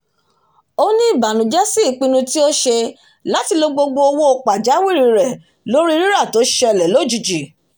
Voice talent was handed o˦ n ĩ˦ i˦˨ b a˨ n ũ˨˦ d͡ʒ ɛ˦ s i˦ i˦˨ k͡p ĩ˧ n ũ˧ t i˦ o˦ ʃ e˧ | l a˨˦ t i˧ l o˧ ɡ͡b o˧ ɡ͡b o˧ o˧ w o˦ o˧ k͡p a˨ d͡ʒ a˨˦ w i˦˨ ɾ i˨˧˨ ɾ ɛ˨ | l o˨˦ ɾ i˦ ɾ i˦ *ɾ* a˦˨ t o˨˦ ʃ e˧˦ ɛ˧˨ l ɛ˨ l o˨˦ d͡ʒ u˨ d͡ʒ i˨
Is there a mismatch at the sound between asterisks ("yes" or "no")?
no